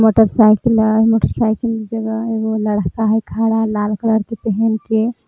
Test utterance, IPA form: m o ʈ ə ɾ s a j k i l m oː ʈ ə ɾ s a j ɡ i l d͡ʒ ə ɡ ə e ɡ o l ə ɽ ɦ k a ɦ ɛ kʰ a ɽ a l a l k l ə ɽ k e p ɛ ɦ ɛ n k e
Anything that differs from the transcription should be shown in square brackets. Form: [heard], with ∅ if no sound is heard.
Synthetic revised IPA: m o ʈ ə ɾ s a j k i l m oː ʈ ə ɾ s a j [k] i l d͡ʒ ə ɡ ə e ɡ o l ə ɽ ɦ k a ɦ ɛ kʰ a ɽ a l a l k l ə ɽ k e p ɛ ɦ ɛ n k e